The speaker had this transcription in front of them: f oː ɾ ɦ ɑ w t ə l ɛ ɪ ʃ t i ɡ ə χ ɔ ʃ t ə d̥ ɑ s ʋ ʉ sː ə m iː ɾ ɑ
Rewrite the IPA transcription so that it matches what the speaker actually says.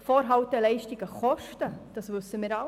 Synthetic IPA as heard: f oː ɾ ɦ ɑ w t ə l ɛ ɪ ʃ t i ɡ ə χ ɔ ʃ t ə d̥ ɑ s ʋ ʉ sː ə m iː ɾ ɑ

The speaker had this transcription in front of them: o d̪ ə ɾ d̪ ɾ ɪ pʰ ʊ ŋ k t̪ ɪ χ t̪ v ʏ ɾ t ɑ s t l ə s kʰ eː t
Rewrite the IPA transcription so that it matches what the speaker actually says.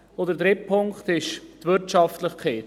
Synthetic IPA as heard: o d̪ ə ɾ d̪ ɾ ɪ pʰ ʊ ŋ k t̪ ɪ ʃ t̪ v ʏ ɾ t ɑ f t l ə χ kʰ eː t

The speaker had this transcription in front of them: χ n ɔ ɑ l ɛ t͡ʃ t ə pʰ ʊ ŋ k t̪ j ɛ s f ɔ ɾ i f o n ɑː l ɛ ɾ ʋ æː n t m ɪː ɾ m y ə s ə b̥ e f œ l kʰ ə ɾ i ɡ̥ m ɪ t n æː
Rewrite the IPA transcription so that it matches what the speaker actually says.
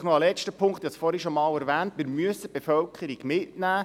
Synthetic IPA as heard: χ n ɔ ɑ l ɛ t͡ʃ t ə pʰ ʊ ŋ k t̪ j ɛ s f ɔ ɾ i ʃ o m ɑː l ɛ ɾ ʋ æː n t m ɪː ɾ m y ə s ə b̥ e f œ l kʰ ə ɾ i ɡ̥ m ɪ t n æː

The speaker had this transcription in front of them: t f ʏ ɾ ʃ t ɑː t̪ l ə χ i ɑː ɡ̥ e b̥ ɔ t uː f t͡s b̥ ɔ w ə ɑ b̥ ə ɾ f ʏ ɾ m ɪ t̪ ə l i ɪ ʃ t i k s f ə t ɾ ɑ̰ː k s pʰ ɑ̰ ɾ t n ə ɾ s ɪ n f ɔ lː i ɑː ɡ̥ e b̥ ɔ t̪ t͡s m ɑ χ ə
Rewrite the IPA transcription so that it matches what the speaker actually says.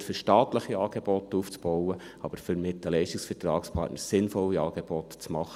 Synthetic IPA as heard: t f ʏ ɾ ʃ t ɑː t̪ l ə χ i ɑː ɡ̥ e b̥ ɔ t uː f t͡s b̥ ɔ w ə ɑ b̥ ə ɾ f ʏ ɾ m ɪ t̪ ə l ɛ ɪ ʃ t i k s f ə t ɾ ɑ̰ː k s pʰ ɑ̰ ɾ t n ə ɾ s ɪ n f ɔ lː i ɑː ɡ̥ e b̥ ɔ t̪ t͡s m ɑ χ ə

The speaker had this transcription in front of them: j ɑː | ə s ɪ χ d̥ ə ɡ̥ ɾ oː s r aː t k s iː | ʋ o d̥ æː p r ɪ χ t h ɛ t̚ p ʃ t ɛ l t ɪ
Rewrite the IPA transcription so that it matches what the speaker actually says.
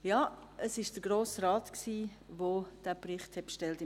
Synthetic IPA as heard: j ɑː | ə s ɪ ʃ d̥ ə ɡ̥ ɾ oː s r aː t k s iː | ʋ o d̥ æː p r ɪ χ t h ɛ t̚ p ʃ t ɛ l t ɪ

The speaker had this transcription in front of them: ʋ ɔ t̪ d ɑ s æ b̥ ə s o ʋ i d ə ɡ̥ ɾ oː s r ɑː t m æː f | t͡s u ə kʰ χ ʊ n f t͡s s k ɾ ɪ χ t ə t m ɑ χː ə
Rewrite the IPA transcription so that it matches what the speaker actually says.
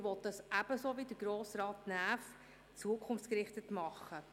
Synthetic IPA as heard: ʋ ɔ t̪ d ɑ s æ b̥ ə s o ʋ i d ə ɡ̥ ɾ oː s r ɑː t n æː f | t͡s u ə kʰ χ ʊ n f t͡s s k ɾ ɪ χ t ə t m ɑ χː ə

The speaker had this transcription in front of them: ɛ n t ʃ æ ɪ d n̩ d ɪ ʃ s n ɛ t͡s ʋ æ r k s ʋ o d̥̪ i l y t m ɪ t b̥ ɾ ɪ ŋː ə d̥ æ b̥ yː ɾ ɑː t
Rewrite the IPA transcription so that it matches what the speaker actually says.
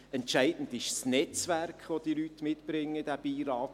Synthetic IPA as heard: ɛ n t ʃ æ ɪ d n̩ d ɪ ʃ s n ɛ t͡s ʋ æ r k χ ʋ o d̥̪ i l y t m ɪ t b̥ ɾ ɪ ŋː ə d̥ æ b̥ iː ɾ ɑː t

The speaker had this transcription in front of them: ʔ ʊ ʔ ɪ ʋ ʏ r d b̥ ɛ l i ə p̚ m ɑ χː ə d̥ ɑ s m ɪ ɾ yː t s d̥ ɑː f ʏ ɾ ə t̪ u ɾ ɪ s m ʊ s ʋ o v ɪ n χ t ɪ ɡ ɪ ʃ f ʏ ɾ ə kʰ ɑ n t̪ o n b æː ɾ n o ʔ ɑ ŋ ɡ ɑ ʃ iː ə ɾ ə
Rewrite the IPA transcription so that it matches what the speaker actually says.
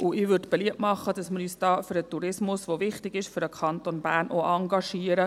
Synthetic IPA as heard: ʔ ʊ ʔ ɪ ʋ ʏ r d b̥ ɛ l i ə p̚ m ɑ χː ə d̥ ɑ s m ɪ ɾ yː s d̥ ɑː f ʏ ɾ ə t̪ u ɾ ɪ s m ʊ s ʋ o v ɪ χ t ɪ ɡ ɪ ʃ f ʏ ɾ ə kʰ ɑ n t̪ o n b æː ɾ n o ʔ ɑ ŋ ɡ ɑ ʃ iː ə ɾ ə

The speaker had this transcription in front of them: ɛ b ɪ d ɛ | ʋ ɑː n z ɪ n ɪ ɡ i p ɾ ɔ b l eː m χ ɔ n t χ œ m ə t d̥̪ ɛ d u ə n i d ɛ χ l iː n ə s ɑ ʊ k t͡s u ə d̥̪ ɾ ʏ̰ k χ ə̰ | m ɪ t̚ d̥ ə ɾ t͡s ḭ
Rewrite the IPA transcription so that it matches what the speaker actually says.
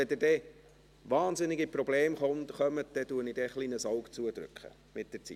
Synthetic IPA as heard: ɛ d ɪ d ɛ | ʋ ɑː n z ɪ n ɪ ɡ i p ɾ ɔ b l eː m χ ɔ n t χ œ m ə t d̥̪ ɛ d u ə n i d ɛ χ l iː n ə s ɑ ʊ k t͡s u ə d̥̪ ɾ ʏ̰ k χ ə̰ | m ɪ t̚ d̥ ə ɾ t͡s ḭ

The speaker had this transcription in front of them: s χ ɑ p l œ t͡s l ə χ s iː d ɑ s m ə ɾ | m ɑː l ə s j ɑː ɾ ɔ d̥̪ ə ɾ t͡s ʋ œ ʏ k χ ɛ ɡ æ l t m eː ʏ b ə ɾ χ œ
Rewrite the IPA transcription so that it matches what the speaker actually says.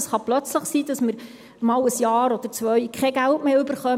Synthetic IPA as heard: s χ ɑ p l œ t͡s l ə χ s iː d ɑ s m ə ɾ | m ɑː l ə s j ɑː ɾ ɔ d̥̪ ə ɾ t͡s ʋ œ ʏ k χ ɛ ɡ æ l t m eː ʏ b ə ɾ χ œ

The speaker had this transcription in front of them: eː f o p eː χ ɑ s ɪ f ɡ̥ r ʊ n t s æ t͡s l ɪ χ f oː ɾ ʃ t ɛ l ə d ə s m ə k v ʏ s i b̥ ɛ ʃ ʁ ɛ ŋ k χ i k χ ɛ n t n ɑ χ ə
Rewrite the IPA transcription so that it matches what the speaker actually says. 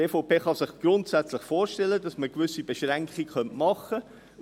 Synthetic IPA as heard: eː f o p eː χ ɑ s ɪ χ ɡ̥ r ʊ n t s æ t͡s l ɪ χ f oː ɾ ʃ t ɛ l ə d ɑ s m ə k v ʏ s i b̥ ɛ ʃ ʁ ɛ ŋ k χ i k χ œ n t m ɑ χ ə

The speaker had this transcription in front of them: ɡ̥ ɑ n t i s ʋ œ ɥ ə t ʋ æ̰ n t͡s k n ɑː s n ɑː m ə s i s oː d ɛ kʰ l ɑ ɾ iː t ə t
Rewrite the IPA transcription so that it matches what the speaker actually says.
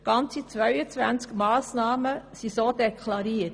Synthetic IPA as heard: ɡ̥ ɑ n t͡s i t͡s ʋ œ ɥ ə t͡s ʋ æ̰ n t͡s k m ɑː s n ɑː m ə s i s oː d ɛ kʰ l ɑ ɾ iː ə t

